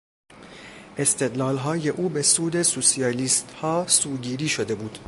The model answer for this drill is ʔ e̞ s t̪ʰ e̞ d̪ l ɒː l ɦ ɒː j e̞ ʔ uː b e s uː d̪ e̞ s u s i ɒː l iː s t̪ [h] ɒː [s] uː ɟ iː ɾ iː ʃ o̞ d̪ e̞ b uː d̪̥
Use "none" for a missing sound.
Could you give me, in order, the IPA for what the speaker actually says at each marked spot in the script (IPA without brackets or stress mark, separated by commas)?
h, s